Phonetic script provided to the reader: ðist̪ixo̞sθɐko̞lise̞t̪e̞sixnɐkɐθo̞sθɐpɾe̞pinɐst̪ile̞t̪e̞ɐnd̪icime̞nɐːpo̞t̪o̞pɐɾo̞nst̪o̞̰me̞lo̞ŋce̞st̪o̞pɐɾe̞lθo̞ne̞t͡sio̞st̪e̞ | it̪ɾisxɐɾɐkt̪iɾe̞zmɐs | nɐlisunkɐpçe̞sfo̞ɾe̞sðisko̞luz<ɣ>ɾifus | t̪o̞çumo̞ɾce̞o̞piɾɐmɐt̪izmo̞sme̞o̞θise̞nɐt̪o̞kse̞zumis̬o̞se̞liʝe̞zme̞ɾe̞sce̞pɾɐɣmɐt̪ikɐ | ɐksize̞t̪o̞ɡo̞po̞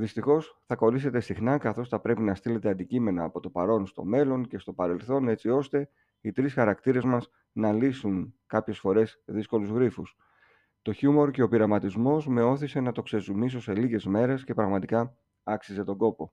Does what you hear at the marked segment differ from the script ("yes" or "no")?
no